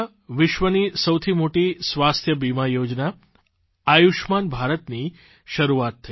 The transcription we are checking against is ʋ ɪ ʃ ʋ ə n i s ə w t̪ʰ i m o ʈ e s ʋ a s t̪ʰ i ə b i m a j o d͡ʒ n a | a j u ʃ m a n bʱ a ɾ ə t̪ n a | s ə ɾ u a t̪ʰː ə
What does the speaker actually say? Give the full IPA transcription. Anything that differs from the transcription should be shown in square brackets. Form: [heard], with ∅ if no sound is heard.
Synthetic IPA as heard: ʋ ɪ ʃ ʋ ə n i s ə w t̪ʰ i m o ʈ [i] s ʋ a s t̪ʰ [j] ə b i m a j o d͡ʒ n a | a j u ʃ m a n bʱ a ɾ ə t̪ n [i] | [ʃ] ə ɾ u a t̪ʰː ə